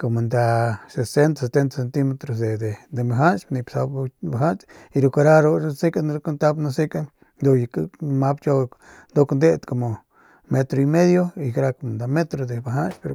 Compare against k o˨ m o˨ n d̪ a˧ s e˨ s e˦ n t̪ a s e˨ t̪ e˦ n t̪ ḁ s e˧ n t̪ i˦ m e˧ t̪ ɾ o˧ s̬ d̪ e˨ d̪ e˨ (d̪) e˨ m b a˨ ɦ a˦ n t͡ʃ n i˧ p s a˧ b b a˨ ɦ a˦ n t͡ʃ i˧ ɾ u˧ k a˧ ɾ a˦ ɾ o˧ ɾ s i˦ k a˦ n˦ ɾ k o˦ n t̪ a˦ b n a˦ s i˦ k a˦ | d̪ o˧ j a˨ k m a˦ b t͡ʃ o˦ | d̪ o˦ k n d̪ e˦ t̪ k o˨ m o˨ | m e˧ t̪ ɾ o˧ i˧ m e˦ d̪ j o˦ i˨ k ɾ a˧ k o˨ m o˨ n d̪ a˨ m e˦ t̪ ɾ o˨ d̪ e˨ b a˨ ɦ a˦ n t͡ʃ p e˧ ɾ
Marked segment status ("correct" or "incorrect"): correct